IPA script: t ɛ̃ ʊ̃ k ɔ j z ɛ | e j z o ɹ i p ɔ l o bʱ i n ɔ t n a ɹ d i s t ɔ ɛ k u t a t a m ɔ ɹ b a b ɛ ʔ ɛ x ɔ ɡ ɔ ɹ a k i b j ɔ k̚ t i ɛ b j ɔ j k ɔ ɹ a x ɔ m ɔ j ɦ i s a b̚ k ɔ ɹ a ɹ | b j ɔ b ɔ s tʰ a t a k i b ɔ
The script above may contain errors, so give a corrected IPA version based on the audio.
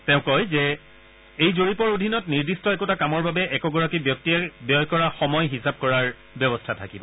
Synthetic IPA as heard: t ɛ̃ ʊ̃ k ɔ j z ɛ | e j z o ɹ i p ɔ ɹ o dʱ i n ɔ t n i ɹ d i s t ɔ ɛ k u t a k a m ɔ ɹ b a b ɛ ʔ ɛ k ɔ ɡ ɔ ɹ a k i b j ɔ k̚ t i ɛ b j ɔ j k ɔ ɹ a x ɔ m ɔ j ɦ i s a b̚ k ɔ ɹ a ɹ | b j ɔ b ɔ s tʰ a tʰ a k i b ɔ